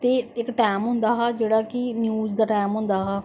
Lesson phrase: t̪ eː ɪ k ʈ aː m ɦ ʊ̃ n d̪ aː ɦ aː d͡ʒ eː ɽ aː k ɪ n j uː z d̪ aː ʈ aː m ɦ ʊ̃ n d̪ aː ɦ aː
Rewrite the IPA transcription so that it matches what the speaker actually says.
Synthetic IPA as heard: t̪ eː ɪ k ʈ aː m ɦ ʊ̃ n d̪ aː ɦ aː d͡ʒ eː ɽ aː k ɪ n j uː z d̪ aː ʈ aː m ɦ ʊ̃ n d̪ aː ɦ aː